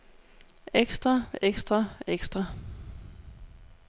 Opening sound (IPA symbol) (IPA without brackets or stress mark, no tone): e